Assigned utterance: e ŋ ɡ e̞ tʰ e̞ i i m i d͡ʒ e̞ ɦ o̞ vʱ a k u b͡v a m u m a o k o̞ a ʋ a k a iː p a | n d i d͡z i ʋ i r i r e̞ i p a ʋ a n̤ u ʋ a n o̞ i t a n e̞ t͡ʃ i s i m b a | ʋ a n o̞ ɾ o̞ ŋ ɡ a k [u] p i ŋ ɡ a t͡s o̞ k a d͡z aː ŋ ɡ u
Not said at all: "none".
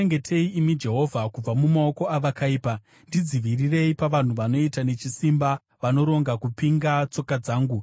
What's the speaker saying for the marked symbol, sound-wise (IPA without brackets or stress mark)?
u